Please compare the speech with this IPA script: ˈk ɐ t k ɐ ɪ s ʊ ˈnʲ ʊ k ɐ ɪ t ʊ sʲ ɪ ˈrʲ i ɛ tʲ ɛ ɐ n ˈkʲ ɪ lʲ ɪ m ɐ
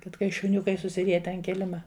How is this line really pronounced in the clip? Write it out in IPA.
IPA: ˈk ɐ t k ɐ ɪ ʃ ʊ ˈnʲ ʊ k ɐ ɪ s ʊ sʲ ɪ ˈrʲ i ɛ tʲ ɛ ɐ n ˈkʲ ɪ lʲ ɪ m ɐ